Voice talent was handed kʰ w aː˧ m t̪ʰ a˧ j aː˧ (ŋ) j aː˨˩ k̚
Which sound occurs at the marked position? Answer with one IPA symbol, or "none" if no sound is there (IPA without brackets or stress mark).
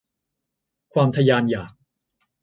n